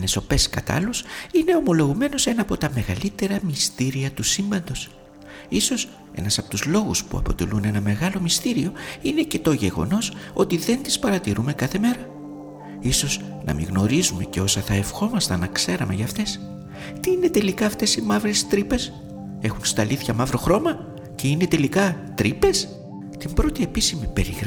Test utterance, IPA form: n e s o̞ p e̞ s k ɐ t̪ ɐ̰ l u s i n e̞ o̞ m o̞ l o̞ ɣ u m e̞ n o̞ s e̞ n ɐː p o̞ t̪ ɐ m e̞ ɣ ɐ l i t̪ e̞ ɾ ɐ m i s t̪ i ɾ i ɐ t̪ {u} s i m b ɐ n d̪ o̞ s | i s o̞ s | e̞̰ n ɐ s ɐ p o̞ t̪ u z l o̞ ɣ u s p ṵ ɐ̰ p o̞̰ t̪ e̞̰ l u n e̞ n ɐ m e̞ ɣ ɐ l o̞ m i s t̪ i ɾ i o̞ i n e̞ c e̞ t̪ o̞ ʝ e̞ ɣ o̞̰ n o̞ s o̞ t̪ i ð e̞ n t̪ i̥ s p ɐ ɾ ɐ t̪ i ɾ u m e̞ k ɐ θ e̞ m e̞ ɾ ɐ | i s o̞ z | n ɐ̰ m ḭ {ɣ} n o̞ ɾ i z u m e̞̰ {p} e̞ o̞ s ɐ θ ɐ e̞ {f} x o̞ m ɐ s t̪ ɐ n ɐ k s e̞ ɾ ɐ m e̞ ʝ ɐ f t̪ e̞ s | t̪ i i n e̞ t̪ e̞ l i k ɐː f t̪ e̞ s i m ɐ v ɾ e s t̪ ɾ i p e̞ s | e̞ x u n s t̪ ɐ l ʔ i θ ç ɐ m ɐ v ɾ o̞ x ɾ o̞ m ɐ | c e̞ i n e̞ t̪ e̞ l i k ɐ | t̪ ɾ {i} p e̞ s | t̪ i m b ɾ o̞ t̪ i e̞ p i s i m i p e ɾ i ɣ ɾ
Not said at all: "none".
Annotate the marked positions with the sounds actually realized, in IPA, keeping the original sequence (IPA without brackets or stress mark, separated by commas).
u, ɣ, c, f, i